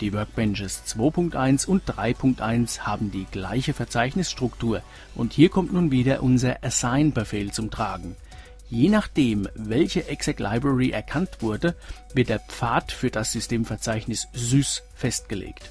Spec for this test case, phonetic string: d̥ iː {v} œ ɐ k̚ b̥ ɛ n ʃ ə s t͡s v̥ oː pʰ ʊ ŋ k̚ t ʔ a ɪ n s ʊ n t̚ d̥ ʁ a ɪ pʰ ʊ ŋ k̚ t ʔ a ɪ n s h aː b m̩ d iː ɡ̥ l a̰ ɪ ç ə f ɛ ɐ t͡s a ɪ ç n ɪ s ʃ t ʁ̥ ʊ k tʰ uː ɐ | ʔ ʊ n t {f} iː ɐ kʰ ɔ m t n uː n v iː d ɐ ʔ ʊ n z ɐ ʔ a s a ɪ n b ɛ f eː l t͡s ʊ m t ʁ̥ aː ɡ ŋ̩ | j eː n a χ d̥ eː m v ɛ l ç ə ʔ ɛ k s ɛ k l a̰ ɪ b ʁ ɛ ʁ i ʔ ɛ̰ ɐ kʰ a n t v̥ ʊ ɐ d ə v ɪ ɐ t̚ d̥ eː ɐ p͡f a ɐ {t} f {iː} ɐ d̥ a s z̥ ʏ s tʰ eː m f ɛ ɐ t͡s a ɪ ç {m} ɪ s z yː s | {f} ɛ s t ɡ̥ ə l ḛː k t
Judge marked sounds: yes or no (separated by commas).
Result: yes, no, yes, no, no, yes